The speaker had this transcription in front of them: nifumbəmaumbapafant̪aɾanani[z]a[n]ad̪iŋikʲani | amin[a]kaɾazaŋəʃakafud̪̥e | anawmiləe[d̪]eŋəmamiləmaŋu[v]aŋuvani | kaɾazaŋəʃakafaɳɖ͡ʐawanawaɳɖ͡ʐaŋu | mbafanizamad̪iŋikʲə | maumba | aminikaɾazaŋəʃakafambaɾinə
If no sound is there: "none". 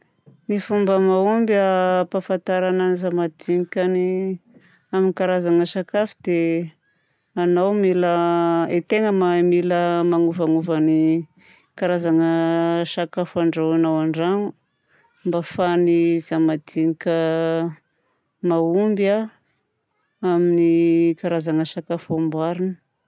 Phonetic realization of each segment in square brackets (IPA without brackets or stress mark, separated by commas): z, m, i, t̪, v